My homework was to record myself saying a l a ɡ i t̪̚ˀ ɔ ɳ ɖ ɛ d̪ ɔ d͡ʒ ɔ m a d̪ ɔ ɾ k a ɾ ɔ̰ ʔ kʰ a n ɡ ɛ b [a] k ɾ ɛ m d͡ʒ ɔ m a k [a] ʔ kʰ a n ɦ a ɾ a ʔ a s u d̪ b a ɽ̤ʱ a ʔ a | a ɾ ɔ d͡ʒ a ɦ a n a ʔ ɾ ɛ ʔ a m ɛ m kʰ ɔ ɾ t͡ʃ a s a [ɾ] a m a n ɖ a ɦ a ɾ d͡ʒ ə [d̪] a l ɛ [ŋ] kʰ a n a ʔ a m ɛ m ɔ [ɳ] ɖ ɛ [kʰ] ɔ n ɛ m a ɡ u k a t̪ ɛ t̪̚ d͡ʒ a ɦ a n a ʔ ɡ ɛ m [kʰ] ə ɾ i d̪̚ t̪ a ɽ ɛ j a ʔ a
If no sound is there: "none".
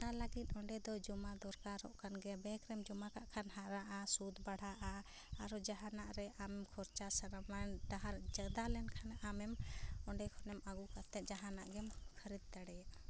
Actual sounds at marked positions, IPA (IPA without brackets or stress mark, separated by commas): ɛ, a, ɾ, d̪, n, ɳ, kʰ, kʰ